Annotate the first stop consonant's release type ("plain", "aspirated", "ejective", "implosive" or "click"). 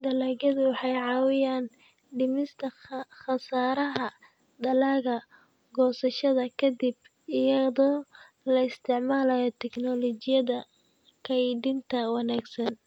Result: plain